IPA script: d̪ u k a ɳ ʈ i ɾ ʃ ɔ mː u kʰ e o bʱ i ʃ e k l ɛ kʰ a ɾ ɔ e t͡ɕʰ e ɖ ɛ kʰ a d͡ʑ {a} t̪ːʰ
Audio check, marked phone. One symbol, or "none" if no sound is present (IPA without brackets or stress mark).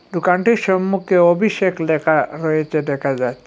a